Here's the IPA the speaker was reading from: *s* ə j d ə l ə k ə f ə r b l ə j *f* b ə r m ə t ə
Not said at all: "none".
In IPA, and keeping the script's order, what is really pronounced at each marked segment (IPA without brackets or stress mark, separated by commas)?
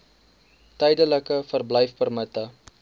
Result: t, f